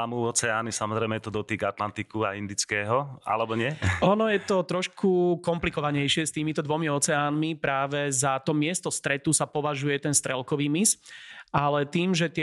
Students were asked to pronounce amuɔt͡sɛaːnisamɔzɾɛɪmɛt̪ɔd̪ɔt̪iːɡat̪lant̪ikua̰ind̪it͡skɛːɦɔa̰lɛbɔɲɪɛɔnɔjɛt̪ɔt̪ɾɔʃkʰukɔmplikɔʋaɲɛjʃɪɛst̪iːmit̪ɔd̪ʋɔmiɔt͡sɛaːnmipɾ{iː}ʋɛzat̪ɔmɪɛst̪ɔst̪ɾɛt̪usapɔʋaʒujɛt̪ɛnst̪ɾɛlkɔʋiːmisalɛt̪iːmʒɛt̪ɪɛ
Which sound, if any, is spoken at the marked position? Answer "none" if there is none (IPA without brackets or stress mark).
aː